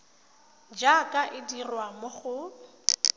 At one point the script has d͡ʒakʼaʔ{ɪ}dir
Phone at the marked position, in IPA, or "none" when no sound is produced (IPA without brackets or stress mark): ɪ